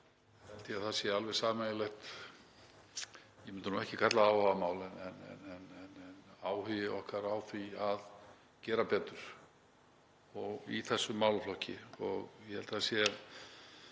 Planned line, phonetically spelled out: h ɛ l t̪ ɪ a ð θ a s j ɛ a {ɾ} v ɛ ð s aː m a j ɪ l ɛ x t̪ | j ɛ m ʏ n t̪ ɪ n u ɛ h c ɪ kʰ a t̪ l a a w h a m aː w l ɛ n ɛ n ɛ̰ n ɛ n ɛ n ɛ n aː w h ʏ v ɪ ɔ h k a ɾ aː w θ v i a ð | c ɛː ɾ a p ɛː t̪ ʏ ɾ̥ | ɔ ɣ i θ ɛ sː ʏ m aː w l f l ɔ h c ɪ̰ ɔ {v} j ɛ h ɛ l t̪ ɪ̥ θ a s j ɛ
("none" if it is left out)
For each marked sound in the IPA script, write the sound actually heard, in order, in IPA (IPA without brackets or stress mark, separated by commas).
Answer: l, ɣ